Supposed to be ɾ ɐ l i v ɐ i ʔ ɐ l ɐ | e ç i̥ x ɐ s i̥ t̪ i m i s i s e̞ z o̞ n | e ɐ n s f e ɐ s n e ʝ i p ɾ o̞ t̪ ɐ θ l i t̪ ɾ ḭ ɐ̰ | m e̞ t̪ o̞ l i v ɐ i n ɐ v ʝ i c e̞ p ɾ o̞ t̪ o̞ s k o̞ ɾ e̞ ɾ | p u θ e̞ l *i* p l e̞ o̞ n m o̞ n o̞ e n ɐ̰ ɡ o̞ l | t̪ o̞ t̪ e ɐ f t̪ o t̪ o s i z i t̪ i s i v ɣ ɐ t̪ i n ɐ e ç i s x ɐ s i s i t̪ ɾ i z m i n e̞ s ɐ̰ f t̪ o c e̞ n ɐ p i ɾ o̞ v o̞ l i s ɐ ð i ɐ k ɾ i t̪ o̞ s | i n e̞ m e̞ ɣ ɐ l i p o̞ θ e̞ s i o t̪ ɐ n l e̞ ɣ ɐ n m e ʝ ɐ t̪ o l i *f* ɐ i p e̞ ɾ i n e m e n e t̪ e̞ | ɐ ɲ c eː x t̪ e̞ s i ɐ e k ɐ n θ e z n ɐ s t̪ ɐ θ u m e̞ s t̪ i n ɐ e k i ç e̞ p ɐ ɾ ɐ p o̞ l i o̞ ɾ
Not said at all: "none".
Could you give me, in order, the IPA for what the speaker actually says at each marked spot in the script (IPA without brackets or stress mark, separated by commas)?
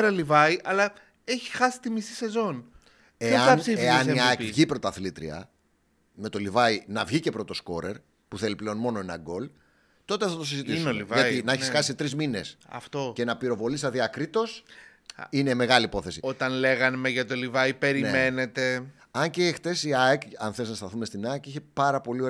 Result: i, v